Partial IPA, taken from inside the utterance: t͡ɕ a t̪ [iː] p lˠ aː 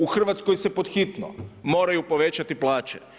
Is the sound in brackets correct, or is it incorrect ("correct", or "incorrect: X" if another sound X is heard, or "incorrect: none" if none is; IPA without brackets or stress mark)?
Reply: incorrect: i